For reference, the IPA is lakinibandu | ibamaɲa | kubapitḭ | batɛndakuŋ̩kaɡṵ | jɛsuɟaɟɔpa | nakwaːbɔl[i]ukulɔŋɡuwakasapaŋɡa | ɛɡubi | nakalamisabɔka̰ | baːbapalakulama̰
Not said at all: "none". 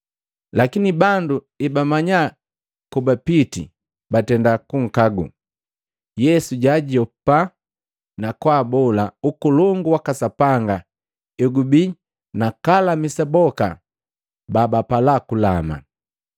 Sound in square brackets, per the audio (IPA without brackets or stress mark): a